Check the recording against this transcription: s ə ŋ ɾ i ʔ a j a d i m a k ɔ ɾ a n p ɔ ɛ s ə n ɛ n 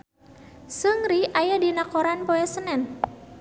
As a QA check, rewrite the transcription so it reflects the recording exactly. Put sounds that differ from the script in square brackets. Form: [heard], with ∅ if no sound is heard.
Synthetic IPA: s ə ŋ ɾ i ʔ a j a d i [n] a k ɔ ɾ a n p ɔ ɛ s ə n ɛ n

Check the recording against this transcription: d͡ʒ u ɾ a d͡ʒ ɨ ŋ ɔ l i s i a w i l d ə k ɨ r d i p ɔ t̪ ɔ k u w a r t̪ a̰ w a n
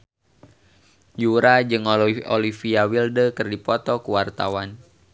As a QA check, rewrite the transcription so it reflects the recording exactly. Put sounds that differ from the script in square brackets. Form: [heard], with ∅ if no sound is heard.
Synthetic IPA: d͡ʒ u ɾ a d͡ʒ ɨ ŋ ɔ l i [f] i a w i l d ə k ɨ r d i p ɔ t̪ ɔ k u w a r t̪ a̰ w a n

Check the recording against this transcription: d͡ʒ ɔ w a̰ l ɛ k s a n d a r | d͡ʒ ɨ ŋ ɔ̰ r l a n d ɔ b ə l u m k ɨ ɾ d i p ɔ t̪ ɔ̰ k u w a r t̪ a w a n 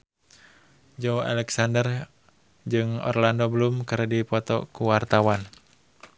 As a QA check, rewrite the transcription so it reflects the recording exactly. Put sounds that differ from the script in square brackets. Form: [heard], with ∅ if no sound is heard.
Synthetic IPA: d͡ʒ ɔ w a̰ l ɛ k s a n d [ə] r | d͡ʒ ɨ ŋ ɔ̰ r l a n d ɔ b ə l u m k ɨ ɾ d i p ɔ t̪ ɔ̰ k u w a r t̪ a w a n

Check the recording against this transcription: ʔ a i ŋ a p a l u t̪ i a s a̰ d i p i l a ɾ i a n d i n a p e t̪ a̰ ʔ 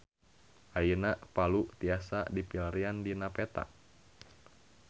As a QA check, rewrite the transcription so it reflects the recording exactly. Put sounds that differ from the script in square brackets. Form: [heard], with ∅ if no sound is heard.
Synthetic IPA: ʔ a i [n] a p a l u t̪ i a s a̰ d i p i l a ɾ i a n d i n a p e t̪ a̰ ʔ

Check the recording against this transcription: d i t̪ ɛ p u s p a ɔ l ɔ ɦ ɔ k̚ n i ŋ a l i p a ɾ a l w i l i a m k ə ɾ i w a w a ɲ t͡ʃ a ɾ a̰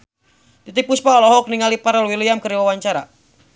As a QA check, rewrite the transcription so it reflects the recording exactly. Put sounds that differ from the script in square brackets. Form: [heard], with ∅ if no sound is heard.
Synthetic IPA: d i t̪ [i] p u s p a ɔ l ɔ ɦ ɔ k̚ n i ŋ a l i p a ɾ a l w i l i a m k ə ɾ i w a w a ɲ t͡ʃ a ɾ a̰

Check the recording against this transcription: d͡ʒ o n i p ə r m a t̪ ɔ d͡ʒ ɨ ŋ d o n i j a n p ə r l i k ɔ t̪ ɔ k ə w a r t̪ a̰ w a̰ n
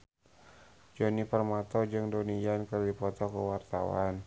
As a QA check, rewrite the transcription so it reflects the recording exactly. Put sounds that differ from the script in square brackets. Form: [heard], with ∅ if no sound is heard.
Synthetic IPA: d͡ʒ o n i p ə r m a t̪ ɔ d͡ʒ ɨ ŋ d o n i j a n [k] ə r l i [p] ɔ t̪ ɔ k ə w a r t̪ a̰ w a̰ n

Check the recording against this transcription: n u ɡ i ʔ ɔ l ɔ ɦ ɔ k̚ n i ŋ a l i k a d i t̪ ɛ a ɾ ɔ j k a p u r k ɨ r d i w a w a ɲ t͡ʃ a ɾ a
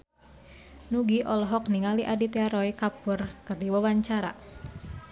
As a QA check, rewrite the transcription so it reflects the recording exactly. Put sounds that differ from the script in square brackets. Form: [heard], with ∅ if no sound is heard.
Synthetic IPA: n u ɡ i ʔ ɔ l ɔ ɦ ɔ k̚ n i ŋ a l i [ʔ] a d i t̪ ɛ a ɾ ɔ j k a p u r k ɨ r d i w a w a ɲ t͡ʃ a ɾ a

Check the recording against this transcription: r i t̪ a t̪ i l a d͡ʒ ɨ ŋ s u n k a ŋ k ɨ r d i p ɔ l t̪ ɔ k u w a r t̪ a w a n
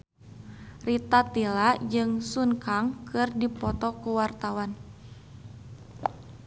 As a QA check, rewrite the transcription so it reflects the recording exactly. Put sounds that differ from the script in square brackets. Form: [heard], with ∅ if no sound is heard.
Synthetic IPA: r i t̪ a t̪ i l a d͡ʒ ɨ ŋ s u n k a ŋ k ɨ r d i p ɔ [∅] t̪ ɔ k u w a r t̪ a w a n

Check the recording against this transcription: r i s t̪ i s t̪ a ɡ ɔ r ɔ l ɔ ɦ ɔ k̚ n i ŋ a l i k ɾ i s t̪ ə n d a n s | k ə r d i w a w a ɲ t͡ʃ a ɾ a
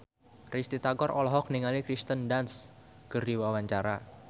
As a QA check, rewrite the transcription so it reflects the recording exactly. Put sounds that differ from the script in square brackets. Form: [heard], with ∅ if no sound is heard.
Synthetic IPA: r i s t̪ i [∅] t̪ a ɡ ɔ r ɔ l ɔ ɦ ɔ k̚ n i ŋ a l i k ɾ i s t̪ ə n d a n s | k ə r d i w a w a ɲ t͡ʃ a ɾ a

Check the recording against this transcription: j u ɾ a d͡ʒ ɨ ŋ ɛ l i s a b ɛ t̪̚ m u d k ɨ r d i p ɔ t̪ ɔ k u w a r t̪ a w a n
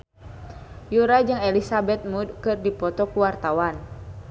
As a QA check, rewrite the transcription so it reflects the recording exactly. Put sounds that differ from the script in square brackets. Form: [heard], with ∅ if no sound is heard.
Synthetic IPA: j u ɾ a d͡ʒ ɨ ŋ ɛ l i s a b ɛ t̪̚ m u d k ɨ r d i p ɔ t̪ ɔ k u w a r t̪ a w a n

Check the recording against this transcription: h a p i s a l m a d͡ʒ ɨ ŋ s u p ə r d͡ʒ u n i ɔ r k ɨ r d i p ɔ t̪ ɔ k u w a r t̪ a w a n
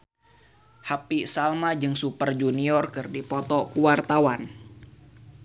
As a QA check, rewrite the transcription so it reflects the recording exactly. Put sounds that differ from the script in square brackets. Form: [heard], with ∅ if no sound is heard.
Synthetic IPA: h a p i s a l m a d͡ʒ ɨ ŋ s u p ə r d͡ʒ u n i ɔ r k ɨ r d i p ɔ t̪ ɔ k u w a r t̪ a w a n

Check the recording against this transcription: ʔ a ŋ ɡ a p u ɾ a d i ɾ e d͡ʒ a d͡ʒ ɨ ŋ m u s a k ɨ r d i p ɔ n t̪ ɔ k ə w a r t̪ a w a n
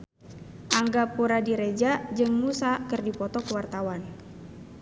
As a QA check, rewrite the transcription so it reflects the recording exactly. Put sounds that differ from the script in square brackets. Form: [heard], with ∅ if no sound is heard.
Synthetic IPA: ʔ a ŋ ɡ a p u ɾ a d i ɾ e d͡ʒ a d͡ʒ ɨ ŋ m u s a k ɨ r d i p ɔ [∅] t̪ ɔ k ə w a r t̪ a w a n

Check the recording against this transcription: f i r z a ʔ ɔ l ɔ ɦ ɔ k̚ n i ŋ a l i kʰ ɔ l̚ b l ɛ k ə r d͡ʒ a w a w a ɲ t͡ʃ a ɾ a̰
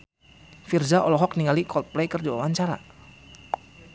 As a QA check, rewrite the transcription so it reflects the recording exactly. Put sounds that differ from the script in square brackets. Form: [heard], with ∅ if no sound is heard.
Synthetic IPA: f i r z a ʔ ɔ l ɔ ɦ ɔ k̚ n i ŋ a l i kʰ ɔ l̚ [p] l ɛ k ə r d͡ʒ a w a w a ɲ t͡ʃ a ɾ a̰

